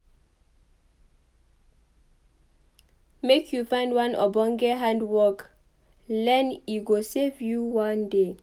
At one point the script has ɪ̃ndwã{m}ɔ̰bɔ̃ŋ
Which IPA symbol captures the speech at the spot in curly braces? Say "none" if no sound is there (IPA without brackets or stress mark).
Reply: n